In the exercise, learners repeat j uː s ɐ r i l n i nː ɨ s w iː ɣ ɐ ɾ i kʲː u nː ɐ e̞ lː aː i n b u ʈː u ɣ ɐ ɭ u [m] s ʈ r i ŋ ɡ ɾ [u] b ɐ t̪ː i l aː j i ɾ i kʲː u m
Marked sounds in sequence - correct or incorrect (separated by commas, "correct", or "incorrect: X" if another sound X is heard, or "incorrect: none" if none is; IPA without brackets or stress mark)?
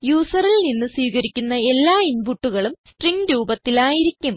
correct, incorrect: uː